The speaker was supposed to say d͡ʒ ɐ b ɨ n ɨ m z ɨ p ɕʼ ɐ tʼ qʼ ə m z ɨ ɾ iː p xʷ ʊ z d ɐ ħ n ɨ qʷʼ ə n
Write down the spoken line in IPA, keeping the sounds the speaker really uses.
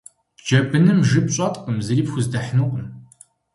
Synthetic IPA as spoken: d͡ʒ ɐ b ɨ n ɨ m ʒ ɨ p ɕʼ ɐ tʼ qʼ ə m z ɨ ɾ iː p xʷ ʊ z d ɐ ħ n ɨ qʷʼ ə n

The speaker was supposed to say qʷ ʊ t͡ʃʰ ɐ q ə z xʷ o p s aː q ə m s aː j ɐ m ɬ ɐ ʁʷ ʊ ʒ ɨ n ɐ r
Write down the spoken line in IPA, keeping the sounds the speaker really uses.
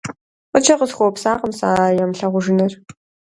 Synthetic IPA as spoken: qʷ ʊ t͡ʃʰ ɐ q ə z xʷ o p s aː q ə m s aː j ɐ m ɬ ɐ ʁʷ ʊ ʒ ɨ n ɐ r

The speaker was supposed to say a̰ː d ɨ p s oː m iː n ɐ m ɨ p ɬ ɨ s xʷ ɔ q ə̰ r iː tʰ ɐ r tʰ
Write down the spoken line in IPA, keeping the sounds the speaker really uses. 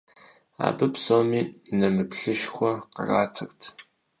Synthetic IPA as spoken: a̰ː b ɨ p s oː m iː n ɐ m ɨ p ɬ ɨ ʃ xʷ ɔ q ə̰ r aː tʰ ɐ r tʰ

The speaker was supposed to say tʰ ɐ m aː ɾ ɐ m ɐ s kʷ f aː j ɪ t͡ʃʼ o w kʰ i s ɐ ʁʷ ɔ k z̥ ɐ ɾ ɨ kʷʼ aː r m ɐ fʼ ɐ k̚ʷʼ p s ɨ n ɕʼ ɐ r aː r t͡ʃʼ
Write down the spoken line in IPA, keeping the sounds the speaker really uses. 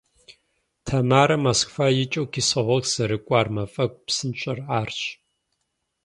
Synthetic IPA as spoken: tʰ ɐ m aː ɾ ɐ m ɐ s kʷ f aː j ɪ t͡ʃʼ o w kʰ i s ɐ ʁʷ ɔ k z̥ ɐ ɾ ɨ kʷʼ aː r m ɐ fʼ ɐ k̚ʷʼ p s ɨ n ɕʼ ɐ r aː r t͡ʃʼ

